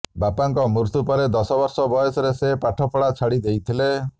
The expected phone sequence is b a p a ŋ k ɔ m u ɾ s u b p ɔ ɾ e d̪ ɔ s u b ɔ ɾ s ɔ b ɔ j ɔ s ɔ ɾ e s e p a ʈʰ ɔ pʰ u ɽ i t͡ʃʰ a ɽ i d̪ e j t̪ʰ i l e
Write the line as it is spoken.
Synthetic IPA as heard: b a p a ŋ k ɔ m u ɾ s u p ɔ ɾ e d̪ ɔ s ɔ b ɔ ɾ s ɔ b ɔ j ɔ s ɔ ɾ e s e p a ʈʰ ɔ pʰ ɔ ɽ a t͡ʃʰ a ɽ i d̪ e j t̪ʰ i l e